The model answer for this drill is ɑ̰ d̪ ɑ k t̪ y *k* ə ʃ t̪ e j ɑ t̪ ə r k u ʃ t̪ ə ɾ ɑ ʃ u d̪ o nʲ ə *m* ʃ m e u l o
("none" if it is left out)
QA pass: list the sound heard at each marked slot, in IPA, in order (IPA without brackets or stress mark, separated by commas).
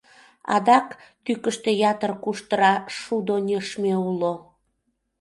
k, none